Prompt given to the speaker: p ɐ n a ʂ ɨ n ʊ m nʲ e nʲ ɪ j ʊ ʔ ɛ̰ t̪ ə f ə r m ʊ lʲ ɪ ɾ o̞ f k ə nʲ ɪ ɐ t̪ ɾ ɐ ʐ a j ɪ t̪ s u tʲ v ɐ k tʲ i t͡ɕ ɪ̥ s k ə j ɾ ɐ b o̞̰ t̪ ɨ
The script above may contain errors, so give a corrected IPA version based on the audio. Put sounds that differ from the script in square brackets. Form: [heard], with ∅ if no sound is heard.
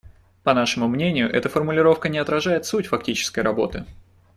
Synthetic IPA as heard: p ɐ n a ʂ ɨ [m] ʊ m nʲ e nʲ ɪ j ʊ ʔ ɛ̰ t̪ ə f ə r m ʊ lʲ ɪ ɾ o̞ f k ə nʲ ɪ ɐ t̪ ɾ ɐ ʐ a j ɪ t̪ s u tʲ [f] ɐ k tʲ i t͡ɕ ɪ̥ s k ə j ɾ ɐ b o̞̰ t̪ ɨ

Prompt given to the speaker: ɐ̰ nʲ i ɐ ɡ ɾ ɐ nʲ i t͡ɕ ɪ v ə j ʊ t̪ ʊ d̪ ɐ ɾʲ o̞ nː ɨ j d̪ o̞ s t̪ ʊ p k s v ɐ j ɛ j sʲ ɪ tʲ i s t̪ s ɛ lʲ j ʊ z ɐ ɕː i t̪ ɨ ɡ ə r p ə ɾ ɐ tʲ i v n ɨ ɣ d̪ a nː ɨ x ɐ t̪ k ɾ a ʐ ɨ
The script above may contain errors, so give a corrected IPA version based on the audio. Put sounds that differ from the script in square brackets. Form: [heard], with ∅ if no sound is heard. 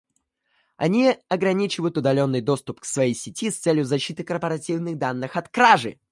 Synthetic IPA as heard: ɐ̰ nʲ i ɐ ɡ ɾ ɐ nʲ i t͡ɕ ɪ v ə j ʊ t̪ ʊ d̪ ɐ [lʲ] o̞ nː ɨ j d̪ o̞ s t̪ ʊ p k s v ɐ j [e] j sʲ ɪ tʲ i s t̪ s ɛ lʲ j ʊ z ɐ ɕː i t̪ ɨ [k] ə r p ə ɾ ɐ tʲ i v n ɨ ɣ d̪ a nː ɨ x ɐ t̪ k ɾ a ʐ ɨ

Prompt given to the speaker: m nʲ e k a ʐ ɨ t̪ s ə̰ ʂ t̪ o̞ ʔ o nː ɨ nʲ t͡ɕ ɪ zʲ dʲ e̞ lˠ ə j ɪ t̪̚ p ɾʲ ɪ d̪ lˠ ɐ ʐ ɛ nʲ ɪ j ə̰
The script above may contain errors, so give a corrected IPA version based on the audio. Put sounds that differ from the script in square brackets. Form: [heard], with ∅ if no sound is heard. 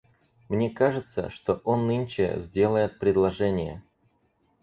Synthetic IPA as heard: m nʲ e k a ʐ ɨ t̪ s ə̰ ʂ t̪ o̞ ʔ o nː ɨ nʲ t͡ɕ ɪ zʲ dʲ e̞ lˠ ə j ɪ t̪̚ p ɾʲ ɪ d̪ lˠ ɐ ʐ ɛ nʲ ɪ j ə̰

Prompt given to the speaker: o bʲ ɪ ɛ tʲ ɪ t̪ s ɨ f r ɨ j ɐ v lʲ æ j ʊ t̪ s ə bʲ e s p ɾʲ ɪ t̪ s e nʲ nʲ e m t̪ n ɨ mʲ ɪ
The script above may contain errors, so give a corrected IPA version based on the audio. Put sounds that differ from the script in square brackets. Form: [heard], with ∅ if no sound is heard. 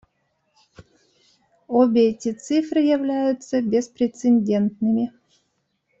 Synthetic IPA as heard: o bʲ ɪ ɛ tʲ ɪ t̪ s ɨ f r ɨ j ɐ v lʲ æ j ʊ t̪ s ə bʲ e s p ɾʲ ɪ t̪ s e nʲ [dʲ] e [n] t̪ n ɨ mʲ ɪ

